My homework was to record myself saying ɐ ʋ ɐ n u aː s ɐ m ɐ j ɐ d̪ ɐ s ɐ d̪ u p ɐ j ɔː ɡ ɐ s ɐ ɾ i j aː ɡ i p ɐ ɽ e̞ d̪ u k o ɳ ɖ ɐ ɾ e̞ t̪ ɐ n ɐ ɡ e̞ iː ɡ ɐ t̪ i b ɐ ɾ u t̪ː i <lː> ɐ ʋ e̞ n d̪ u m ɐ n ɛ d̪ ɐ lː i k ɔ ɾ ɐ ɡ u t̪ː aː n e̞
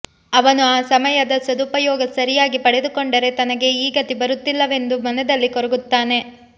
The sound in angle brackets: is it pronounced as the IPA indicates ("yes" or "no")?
yes